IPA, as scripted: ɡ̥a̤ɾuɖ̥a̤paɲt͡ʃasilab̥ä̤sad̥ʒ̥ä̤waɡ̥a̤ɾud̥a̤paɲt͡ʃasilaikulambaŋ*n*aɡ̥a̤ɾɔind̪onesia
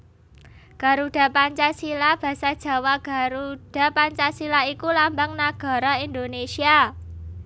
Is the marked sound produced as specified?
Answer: yes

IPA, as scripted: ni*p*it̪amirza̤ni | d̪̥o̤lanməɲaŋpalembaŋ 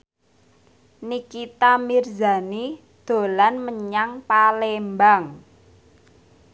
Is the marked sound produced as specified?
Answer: no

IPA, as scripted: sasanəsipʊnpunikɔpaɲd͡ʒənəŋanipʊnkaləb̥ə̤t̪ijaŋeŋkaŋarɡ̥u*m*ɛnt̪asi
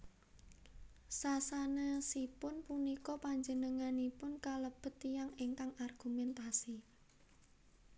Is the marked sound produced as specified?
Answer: yes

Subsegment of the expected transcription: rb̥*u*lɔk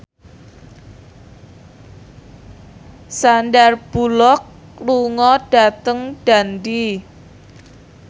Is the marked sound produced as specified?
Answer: yes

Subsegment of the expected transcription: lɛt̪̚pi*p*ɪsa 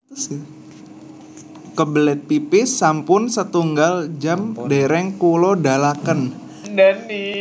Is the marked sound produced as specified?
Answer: yes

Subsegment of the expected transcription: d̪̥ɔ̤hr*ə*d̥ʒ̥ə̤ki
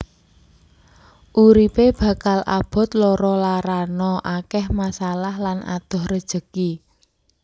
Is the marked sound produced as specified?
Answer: yes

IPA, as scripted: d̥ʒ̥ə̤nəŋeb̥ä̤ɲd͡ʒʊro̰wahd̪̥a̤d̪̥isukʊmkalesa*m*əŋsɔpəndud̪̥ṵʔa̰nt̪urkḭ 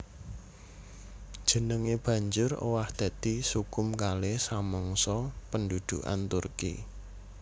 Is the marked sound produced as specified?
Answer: yes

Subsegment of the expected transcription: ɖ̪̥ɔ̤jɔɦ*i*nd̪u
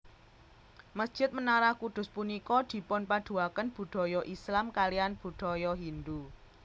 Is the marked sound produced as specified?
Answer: yes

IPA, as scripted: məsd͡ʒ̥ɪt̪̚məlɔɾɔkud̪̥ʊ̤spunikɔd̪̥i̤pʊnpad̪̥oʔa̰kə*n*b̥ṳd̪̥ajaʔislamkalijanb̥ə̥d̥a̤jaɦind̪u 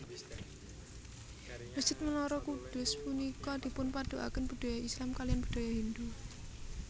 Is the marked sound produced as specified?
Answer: yes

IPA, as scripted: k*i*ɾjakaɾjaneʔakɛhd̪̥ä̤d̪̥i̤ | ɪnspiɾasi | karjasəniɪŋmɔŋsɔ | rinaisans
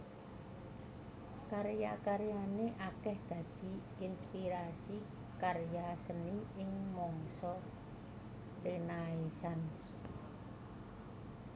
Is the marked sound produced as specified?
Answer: no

